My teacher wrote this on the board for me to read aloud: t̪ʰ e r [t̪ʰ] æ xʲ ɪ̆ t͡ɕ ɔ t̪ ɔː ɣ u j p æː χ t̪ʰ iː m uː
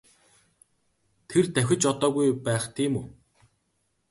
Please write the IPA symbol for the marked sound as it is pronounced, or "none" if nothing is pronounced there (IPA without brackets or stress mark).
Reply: t̪